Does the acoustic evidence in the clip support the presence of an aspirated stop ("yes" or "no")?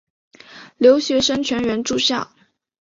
yes